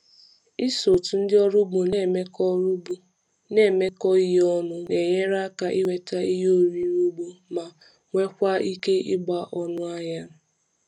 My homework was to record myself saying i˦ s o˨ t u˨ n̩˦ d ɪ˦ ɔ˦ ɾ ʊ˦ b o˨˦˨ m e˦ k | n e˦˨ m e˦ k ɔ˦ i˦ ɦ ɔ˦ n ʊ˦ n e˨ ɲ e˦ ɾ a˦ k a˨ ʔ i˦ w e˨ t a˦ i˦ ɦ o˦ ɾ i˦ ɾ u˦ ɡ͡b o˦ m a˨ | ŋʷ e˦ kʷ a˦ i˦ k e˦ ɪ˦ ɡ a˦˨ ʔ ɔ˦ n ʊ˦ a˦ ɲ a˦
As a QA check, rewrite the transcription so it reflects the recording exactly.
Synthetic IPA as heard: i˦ s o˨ t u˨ n̩˦ d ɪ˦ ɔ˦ ɾ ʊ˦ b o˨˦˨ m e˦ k | n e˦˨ m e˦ k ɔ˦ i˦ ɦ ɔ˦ n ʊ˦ n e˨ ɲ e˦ ɾ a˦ k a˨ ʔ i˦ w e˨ t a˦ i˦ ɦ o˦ ɾ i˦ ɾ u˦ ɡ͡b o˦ m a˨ | ŋʷ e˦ kʷ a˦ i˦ k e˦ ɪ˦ ɡ͡b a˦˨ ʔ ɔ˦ n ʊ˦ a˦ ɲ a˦